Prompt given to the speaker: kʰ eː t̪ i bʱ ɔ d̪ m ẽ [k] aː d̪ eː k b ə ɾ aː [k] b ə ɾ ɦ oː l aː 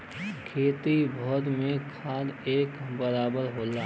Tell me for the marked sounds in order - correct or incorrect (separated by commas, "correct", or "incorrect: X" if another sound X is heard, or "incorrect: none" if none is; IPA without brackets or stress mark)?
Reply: incorrect: kʰ, incorrect: none